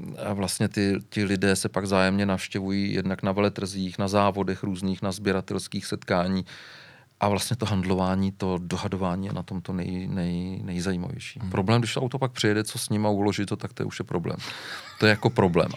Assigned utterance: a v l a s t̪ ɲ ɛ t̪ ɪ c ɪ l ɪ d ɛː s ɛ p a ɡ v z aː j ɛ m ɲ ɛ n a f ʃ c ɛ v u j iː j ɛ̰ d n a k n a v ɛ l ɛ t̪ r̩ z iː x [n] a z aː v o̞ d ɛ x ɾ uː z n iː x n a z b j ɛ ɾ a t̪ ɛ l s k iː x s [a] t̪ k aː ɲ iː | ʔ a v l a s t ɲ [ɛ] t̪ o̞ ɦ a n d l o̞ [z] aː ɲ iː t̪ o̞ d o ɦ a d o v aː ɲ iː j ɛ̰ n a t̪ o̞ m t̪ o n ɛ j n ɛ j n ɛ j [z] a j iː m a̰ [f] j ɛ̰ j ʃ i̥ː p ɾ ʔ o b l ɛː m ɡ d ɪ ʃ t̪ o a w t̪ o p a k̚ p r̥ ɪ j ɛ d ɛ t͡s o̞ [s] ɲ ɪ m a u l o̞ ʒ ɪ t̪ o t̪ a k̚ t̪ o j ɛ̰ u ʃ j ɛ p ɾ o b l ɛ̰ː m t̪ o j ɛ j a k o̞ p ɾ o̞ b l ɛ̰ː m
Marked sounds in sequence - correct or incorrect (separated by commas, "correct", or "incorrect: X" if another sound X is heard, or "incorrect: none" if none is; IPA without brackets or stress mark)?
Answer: correct, incorrect: ɛ, correct, incorrect: v, correct, incorrect: v, correct